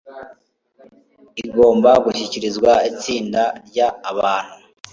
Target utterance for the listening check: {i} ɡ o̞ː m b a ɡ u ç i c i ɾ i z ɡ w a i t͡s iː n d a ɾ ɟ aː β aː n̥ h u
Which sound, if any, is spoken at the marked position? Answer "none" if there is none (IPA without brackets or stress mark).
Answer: i